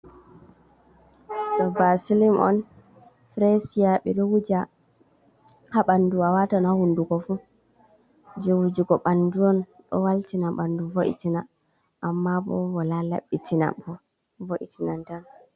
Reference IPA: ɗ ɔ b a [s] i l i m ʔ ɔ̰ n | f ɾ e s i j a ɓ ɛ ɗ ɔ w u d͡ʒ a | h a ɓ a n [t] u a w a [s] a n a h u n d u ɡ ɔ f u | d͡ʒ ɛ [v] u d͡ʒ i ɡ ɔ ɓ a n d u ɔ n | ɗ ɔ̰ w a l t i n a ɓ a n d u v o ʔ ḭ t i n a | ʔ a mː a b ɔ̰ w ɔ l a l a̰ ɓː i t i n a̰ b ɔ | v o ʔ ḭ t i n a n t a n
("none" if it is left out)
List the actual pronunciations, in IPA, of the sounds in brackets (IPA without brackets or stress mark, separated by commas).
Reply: s, d, t, w